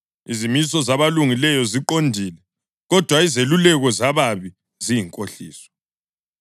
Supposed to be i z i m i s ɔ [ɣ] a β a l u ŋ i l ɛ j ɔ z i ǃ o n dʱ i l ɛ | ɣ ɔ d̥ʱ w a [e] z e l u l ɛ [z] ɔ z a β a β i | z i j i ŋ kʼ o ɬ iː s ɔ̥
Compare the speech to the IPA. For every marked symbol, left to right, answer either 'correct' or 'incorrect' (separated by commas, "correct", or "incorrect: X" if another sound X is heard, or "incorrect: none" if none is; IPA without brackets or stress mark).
incorrect: z, incorrect: i, incorrect: ɣ